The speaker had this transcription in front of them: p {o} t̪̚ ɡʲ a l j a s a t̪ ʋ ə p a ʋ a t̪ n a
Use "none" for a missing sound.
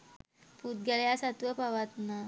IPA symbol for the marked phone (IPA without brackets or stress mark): u